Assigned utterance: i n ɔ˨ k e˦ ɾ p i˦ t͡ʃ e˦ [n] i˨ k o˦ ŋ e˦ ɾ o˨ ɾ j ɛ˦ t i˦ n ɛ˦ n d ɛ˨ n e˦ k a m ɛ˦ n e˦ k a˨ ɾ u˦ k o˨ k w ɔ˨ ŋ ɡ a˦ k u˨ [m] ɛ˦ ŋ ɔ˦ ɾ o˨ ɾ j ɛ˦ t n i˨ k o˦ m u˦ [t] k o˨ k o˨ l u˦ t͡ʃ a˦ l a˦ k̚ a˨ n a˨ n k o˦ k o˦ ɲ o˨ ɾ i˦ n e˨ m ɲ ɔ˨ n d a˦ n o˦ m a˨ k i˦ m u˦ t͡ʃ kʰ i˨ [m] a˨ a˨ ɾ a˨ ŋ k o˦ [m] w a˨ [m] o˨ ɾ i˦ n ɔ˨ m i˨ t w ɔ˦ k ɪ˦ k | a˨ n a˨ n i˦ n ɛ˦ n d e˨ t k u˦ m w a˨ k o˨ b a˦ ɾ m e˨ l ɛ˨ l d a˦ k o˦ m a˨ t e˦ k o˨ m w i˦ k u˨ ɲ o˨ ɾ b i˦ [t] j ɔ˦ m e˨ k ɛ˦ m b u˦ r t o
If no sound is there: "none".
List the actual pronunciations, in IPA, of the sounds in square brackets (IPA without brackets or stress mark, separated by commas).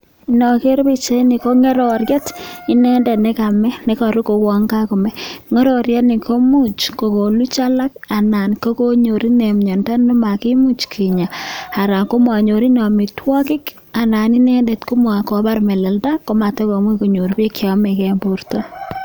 n, m, t͡ʃ, ɲ, m, ɲ, k